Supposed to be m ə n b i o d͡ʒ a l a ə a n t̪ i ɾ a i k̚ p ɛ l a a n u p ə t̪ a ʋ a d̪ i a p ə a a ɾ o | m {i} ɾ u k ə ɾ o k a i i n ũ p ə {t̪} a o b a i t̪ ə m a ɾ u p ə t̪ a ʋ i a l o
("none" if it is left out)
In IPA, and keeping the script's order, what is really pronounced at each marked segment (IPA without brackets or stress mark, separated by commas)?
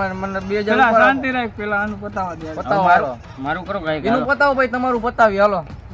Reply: a, t̪